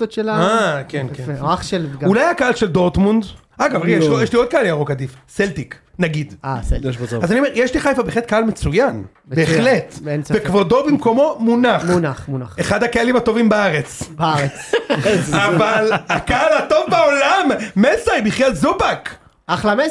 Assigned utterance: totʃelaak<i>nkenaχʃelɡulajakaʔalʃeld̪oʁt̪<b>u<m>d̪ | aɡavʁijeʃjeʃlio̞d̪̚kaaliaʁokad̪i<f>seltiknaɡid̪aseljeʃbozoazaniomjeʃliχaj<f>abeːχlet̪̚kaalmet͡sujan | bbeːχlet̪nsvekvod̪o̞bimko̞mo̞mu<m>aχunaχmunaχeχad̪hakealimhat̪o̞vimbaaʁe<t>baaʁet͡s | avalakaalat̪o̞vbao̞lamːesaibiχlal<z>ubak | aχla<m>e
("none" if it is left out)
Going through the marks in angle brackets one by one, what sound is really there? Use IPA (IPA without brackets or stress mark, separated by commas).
e, m, n, f, f, n, t͡s, z, m